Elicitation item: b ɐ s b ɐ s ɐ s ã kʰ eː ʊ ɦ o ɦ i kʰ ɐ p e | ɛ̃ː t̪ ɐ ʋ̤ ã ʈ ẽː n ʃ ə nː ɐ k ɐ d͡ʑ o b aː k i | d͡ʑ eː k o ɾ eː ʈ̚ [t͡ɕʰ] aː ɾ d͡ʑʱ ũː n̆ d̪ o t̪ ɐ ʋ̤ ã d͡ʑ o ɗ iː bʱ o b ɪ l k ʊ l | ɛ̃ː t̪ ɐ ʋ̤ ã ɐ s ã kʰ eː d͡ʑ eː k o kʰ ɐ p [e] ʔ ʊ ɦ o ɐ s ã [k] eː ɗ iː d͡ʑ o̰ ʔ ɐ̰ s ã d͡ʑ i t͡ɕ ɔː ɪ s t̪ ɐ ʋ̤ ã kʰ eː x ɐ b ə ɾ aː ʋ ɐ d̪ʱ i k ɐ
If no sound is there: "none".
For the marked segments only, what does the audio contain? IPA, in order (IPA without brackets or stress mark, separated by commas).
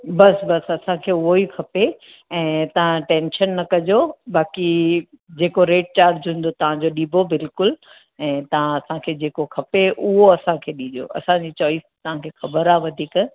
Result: t͡ɕ, e, kʰ